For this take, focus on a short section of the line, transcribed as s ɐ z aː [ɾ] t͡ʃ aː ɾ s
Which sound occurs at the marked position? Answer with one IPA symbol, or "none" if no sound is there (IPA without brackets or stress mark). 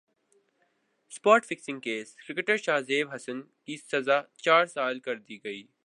none